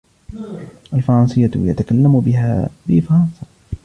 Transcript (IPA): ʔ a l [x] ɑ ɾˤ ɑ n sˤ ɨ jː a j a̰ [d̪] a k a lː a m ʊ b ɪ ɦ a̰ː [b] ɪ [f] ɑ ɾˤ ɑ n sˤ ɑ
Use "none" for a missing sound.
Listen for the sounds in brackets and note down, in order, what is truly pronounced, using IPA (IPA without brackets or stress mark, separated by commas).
f, t̪, b, f